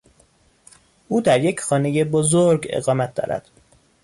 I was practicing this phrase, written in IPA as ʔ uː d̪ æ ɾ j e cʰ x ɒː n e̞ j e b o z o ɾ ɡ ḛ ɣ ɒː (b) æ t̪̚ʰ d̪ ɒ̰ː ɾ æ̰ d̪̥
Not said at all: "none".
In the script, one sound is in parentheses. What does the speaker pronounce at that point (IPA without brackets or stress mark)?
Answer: m